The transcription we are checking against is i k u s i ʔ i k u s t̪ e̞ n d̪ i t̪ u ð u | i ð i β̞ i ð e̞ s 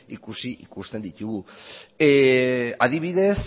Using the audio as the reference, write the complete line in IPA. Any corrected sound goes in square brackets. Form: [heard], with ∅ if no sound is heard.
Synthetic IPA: i k u s i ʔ i k u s t̪ e̞ n d̪ i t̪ u [ɣ] u | [a] ð i β̞ i ð e̞ s

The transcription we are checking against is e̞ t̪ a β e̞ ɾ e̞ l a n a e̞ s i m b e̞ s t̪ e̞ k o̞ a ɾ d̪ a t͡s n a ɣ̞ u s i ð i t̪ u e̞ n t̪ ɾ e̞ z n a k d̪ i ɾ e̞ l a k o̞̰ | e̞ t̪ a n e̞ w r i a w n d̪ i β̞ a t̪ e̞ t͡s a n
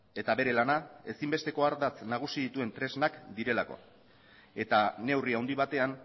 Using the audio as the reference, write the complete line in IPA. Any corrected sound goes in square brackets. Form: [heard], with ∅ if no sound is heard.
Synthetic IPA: e̞ t̪ a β e̞ ɾ e̞ l a n a e̞ s i m b e̞ s t̪ e̞ k o̞ a ɾ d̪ a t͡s n a ɣ̞ u s i ð i t̪ u e̞ n t̪ ɾ e̞ z n a k d̪ i ɾ e̞ l a k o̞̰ | e̞ t̪ a n e̞ w r i a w n d̪ i β̞ a t̪ e̞ [∅] a n

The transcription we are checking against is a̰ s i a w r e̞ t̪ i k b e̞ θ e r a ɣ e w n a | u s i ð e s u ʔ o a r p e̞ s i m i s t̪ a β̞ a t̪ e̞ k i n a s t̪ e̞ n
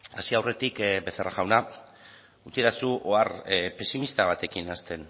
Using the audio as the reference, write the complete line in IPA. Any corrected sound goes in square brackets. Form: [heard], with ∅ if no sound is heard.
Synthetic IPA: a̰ s i a w r e̞ t̪ i k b e̞ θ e r a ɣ [a] w n a | u [t͡s] i ð [a] s u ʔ o a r p e̞ s i m i s t̪ a β̞ a t̪ e̞ k i n a s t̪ e̞ n

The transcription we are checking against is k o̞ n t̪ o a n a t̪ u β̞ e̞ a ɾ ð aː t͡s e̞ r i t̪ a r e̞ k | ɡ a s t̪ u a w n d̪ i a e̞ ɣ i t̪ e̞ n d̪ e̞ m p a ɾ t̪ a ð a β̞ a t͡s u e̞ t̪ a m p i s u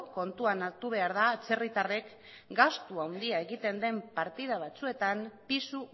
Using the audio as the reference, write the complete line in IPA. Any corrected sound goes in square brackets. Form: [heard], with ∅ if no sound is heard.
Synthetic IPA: k o̞ n t̪ [u] a n a t̪ u β̞ e̞ a ɾ ð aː t͡s e̞ r i t̪ a r e̞ k | ɡ a s t̪ u a w n d̪ i a e̞ ɣ i t̪ e̞ n d̪ e̞ m p a ɾ t̪ [i] ð a β̞ a t͡s u e̞ t̪ a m p i s u

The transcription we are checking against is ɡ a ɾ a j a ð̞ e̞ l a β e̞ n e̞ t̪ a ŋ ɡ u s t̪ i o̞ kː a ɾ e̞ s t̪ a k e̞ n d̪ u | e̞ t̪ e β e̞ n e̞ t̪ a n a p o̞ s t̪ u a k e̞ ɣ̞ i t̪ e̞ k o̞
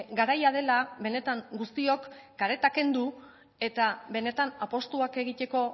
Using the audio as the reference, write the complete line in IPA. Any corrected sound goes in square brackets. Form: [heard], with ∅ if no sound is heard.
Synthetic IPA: ɡ a ɾ a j a ð̞ e̞ l a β e̞ n e̞ t̪ a ŋ ɡ u s t̪ i o̞ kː a ɾ e̞ [∅] t̪ a k e̞ n d̪ u | e̞ t̪ [a] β e̞ n e̞ t̪ a n a p o̞ s t̪ u a k e̞ ɣ̞ i t̪ e̞ k o̞

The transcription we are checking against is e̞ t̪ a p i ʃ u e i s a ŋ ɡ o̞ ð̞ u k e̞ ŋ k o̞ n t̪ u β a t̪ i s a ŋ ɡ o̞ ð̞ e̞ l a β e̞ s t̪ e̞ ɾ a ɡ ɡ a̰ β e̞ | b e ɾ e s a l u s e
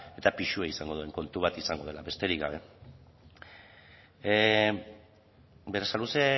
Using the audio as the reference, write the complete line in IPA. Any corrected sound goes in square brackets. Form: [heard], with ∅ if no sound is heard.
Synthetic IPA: e̞ t̪ a p i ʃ u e i s a ŋ ɡ o̞ ð̞ u [∅] e̞ ŋ k o̞ n t̪ u β a t̪ i s a ŋ ɡ o̞ ð̞ e̞ l a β e̞ s t̪ e̞ ɾ [i] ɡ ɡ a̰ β e̞ | b e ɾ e s a l u s e

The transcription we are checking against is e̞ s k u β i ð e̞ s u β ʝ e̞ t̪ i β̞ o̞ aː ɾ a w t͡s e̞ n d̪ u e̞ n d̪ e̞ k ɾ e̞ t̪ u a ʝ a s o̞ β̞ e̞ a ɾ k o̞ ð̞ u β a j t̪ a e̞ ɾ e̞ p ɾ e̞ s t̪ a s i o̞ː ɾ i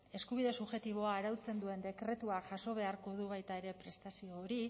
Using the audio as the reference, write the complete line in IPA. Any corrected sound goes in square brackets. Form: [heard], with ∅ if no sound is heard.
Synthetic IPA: e̞ s k u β i ð e̞ s u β ʝ e̞ t̪ i β̞ o̞ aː ɾ a w t͡s e̞ n d̪ u e̞ n d̪ e̞ k ɾ e̞ t̪ u a ʝ a s o̞ β̞ e̞ a ɾ k o̞ ð̞ u β a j t̪ a e̞ ɾ e̞ p ɾ e̞ s t̪ a s i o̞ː ɾ i

